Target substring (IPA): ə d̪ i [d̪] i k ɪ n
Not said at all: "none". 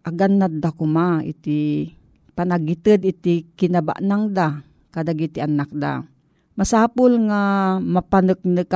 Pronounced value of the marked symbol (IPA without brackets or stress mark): t̪